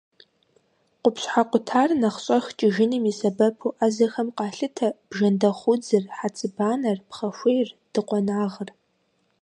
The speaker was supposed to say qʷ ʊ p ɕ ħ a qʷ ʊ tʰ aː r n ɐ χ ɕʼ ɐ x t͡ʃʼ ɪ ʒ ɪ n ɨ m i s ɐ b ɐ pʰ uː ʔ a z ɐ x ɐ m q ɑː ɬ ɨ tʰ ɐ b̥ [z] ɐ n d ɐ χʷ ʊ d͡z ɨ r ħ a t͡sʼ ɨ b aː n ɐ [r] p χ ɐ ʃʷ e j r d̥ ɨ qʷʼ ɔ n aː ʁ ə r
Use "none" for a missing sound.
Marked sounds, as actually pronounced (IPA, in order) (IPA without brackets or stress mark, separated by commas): ʒ, r